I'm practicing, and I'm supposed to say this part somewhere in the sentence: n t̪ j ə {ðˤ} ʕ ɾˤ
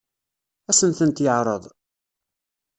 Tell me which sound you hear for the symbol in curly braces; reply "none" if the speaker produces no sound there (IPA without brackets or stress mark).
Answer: none